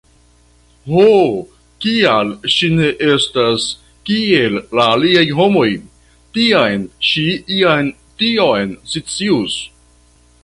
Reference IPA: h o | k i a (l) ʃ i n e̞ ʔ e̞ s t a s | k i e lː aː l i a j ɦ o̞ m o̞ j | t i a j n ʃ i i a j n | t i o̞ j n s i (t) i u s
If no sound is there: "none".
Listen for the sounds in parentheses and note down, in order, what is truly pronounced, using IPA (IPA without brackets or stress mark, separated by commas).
l, t͡s